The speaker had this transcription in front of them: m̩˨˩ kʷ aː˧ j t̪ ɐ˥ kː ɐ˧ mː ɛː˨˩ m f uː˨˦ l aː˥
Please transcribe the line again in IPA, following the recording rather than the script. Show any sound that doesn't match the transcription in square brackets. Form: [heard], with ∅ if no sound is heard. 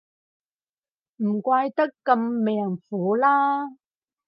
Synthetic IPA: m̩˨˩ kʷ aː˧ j t̪ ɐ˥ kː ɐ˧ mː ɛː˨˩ [ŋ] f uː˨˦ l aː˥